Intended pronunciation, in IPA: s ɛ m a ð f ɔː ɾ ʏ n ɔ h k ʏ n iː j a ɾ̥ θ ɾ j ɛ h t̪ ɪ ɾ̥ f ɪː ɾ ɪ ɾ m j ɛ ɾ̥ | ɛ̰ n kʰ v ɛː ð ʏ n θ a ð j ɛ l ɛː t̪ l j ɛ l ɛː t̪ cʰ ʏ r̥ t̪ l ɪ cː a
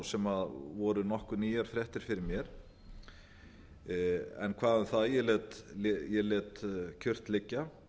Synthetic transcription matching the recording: s ɛ m a ð v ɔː ɾ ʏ n ɔ h k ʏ n iː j a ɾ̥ f ɾ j ɛ h t̪ ɪ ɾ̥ f ɪ ɾ ɪ ɾ m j ɛ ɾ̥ | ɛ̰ n kʰ v aː ð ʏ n θ a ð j ɛ l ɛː t̪ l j ɛ l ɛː t̪ cʰ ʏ r̥ t̪ l ɪ cː a